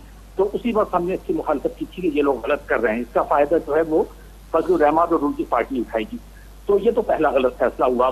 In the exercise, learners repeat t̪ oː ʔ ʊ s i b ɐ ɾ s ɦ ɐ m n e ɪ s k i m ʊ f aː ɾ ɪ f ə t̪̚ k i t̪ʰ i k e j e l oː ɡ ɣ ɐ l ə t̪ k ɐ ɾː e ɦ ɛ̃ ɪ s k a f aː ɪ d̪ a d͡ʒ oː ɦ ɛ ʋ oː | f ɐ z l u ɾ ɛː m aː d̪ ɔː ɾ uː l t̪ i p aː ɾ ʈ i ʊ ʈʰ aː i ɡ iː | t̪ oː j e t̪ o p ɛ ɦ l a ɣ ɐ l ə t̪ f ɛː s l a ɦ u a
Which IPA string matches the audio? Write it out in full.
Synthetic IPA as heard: t̪ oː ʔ ʊ s i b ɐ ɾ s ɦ ɐ m n e ɪ s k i m ʊ x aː l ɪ f ə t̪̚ k i t̪ʰ i k e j e l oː ɡ ɣ ɐ l ə t̪ k ɐ ɾː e ɦ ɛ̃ ɪ s k a f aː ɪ d̪ a d͡ʒ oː ɦ ɛ ʋ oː | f ɐ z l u ɾ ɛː m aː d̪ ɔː ɾ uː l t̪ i p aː ɾ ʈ i ʊ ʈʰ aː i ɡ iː | t̪ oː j e t̪ o p ɛ ɦ l a ɣ ɐ l ə t̪ f ɛː s l a ɦ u a